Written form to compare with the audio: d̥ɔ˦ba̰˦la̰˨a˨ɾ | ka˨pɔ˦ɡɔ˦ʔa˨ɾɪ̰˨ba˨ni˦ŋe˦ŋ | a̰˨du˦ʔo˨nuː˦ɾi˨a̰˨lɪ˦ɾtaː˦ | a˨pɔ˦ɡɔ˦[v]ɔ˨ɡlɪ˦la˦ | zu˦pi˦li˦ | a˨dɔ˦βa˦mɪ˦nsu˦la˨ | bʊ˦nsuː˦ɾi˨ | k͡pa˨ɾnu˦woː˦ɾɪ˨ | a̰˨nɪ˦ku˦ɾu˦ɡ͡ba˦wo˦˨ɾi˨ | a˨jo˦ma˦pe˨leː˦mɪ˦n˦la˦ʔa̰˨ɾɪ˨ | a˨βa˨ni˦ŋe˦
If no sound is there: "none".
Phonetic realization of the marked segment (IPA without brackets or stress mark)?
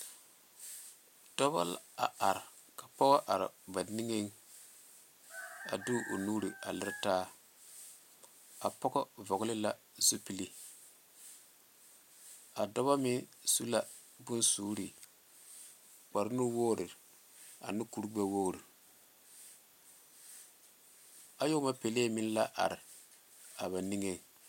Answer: v